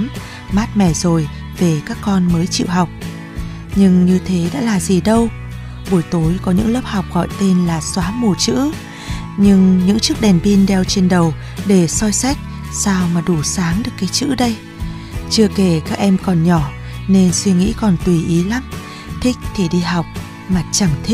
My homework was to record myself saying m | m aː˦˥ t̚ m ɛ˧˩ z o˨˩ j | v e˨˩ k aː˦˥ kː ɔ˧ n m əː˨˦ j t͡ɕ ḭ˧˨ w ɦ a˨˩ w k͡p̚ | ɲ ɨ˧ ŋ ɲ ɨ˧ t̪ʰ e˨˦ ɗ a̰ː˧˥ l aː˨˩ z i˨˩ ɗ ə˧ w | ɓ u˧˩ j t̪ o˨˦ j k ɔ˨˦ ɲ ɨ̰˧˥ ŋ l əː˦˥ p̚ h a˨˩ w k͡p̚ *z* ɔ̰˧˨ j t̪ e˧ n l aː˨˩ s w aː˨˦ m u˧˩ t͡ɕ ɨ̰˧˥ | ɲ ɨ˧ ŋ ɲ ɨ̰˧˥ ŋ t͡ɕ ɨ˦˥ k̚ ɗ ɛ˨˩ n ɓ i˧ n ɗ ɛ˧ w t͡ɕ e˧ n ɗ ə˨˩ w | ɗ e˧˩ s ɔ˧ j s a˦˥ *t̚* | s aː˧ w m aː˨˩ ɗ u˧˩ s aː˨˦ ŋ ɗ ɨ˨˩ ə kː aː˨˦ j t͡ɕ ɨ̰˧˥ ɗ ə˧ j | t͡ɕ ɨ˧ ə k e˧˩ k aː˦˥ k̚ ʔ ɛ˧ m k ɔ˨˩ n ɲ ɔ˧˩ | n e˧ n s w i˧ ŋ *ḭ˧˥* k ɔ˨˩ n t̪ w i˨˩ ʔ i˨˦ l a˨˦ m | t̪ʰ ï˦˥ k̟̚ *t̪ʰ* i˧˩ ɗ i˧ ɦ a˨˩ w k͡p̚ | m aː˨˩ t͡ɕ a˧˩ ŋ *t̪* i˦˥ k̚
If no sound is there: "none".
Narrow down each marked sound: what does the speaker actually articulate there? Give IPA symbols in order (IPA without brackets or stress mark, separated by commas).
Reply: ɣ, k̚, ḭ˧˥, t̪ʰ, t̪ʰ